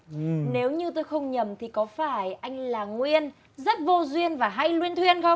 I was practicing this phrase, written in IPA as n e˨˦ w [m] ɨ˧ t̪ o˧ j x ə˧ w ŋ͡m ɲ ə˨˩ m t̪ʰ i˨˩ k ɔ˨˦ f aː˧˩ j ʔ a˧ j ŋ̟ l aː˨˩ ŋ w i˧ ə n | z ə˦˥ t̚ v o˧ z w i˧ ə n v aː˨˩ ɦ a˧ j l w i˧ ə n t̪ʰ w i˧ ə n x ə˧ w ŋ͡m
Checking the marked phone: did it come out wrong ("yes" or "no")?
yes